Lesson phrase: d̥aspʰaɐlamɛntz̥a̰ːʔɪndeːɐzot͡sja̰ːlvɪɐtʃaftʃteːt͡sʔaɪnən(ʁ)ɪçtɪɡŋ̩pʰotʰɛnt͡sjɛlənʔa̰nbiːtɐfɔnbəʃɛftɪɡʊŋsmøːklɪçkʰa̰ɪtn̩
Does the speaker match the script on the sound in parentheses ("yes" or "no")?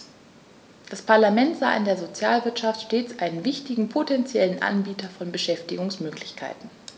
no